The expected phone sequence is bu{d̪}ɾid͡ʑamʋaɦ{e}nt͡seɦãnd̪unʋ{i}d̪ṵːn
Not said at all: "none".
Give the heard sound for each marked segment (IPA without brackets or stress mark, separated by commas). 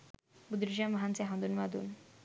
d̪, a, a